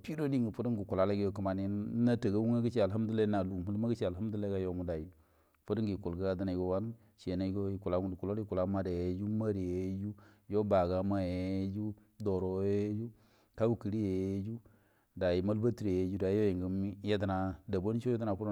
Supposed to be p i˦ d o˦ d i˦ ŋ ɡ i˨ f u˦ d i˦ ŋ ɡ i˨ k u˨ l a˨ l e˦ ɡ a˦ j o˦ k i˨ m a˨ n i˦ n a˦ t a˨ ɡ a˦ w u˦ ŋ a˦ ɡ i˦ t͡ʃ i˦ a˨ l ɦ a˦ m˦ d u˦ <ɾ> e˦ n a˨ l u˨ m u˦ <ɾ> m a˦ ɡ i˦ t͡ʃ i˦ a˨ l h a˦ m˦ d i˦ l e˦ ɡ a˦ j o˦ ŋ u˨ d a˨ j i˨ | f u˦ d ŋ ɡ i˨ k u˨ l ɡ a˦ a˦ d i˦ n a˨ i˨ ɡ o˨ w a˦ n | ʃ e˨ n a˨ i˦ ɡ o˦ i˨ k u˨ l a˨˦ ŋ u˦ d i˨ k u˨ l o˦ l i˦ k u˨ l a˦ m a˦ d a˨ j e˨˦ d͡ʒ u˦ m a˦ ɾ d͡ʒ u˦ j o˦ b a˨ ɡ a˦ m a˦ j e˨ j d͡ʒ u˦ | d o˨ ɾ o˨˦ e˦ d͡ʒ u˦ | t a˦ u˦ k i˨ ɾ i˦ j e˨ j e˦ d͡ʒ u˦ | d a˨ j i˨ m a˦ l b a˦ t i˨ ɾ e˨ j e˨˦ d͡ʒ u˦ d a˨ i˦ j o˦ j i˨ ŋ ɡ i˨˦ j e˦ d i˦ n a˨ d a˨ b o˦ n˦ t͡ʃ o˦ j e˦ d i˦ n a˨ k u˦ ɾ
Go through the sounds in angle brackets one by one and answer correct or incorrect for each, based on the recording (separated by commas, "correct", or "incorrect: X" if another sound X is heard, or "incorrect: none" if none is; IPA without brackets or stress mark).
incorrect: l, incorrect: l